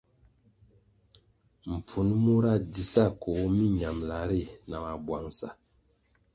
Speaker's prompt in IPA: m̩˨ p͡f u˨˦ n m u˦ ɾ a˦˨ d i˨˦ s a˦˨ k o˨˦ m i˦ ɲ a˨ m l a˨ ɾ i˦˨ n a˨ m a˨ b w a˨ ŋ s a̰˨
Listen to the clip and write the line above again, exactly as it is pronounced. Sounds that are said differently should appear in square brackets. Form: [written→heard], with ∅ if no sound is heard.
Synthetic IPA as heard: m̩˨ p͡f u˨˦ n m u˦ ɾ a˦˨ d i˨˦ s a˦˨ k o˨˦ m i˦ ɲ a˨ m l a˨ ɾ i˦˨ n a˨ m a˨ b w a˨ ŋ s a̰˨